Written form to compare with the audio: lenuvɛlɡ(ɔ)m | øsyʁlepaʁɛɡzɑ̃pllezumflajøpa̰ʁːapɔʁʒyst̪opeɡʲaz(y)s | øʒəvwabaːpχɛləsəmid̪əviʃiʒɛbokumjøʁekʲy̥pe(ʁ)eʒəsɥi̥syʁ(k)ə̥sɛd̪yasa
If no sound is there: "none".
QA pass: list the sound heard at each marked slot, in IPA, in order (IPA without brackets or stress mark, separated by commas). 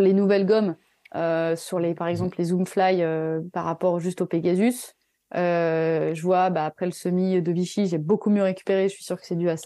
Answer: ɔ, y, ʁ, k